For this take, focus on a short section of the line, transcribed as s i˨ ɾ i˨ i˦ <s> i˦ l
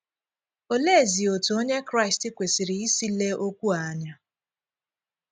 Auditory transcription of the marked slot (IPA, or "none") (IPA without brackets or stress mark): s